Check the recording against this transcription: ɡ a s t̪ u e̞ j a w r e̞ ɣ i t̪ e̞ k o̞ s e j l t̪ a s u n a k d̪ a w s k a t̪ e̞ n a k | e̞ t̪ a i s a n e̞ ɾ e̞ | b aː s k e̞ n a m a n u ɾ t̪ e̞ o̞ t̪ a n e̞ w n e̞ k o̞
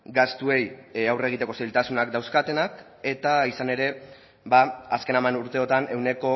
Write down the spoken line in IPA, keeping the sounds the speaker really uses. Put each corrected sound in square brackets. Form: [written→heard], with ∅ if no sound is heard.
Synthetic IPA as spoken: ɡ a s t̪ u e̞ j a w r e̞ ɣ i t̪ e̞ k o̞ s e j l t̪ a s u n a k d̪ a w s k a t̪ e̞ n a k | e̞ t̪ a i s a n e̞ ɾ e̞ | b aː s k e̞ n a m a n u ɾ t̪ e̞ o̞ t̪ a n e̞ w n e̞ k o̞